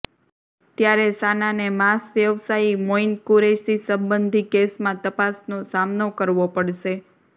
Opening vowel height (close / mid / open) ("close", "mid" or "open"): open